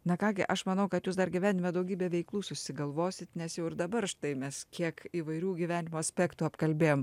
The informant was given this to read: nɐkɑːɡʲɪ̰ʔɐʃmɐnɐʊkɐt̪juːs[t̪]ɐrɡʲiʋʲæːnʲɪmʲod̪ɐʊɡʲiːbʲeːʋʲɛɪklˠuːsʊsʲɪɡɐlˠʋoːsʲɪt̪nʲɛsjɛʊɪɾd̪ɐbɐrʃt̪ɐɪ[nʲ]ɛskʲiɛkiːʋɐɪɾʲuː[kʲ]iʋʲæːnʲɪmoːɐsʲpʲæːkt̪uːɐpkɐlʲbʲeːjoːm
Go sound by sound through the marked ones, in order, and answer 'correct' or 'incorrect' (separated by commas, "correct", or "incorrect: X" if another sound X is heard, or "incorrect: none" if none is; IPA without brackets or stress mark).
incorrect: d̪, incorrect: mʲ, incorrect: ɡʲ